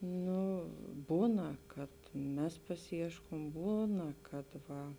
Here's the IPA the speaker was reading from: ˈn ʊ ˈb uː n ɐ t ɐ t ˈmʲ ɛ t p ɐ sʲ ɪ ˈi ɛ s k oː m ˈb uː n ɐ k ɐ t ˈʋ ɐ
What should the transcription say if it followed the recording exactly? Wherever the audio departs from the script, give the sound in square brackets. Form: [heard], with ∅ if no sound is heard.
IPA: ˈn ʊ ˈb uː n ɐ [k] ɐ t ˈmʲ ɛ [s] p ɐ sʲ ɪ ˈi ɛ [ʃ] k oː m ˈb uː n ɐ k ɐ t ˈʋ ɐ